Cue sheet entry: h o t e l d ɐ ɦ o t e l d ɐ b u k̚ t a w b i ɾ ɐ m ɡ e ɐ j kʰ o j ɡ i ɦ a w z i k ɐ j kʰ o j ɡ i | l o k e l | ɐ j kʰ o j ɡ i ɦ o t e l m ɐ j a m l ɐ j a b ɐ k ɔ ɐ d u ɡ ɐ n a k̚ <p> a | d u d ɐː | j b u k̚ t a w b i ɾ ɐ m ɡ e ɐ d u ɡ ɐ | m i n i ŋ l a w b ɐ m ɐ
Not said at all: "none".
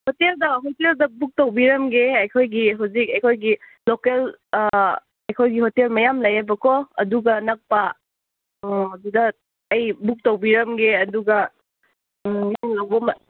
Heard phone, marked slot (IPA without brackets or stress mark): p